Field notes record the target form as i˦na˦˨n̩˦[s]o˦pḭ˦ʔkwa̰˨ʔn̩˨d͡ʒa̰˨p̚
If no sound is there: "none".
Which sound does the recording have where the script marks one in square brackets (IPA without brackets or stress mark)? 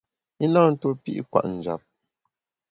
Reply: t